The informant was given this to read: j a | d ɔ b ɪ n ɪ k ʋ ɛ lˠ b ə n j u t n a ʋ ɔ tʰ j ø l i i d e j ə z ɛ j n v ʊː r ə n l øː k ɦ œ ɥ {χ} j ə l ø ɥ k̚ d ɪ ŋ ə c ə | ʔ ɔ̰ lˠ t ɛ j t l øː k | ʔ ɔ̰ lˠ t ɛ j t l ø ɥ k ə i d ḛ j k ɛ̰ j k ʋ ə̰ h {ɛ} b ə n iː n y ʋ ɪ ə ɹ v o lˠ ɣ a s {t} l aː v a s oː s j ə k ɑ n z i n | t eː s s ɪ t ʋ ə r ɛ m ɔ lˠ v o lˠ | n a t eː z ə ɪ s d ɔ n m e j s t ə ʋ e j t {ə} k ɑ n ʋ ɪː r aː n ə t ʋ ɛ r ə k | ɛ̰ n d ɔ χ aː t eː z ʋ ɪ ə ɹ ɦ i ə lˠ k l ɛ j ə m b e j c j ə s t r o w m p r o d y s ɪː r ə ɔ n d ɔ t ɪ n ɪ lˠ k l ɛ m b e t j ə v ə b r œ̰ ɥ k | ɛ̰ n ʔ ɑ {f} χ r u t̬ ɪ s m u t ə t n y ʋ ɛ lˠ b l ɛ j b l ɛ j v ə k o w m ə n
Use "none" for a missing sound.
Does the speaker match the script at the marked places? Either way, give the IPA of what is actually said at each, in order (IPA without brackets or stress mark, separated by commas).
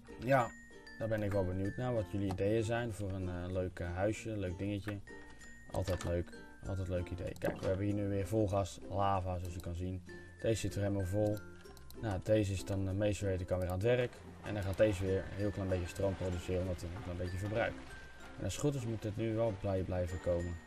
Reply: s, ɛ, t, ə, s